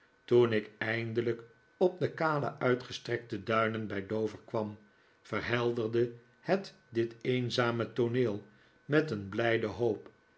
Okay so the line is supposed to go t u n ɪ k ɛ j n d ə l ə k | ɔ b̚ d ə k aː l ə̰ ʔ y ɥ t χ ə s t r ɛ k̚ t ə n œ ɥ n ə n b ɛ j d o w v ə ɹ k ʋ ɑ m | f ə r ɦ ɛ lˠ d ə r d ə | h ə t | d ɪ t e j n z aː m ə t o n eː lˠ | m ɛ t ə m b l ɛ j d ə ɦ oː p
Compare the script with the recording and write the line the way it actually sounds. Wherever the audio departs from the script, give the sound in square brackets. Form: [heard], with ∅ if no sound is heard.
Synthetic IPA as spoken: t u n ɪ k ɛ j n d ə l ə k | ɔ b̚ d ə k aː l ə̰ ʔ [œ] ɥ t χ ə s t r ɛ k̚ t ə [d] œ ɥ n ə n b ɛ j d o w v ə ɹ k ʋ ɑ m | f ə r ɦ ɛ lˠ d ə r d ə | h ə t | d ɪ t e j n z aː m ə t o n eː lˠ | m ɛ t ə [n] b l ɛ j d ə ɦ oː p